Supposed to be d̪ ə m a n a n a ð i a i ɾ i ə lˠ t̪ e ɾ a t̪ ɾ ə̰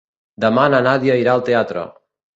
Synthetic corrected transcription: d̪ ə m a n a n a ð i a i ɾ a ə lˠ t̪ e a t̪ ɾ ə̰